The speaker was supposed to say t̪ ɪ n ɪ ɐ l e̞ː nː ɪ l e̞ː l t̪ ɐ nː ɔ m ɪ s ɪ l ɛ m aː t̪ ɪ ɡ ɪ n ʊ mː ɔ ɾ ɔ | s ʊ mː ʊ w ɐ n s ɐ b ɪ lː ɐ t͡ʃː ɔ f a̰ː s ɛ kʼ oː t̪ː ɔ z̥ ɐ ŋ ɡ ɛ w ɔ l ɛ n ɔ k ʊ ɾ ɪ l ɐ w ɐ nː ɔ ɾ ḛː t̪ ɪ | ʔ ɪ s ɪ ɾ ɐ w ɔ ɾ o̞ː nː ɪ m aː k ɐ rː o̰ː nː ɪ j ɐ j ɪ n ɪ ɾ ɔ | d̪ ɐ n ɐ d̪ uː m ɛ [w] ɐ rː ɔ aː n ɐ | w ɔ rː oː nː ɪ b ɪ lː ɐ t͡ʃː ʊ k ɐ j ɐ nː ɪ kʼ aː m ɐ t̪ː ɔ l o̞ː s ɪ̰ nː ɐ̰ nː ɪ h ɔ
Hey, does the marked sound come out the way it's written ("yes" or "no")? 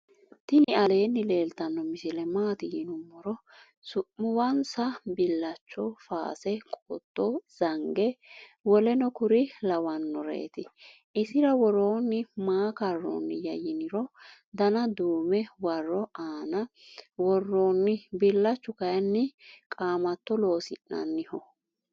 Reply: yes